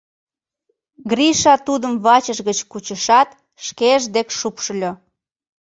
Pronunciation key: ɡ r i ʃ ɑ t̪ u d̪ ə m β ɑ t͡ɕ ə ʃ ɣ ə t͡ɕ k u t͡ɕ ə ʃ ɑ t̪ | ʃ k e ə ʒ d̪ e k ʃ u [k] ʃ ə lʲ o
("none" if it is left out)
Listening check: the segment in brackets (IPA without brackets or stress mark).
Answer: p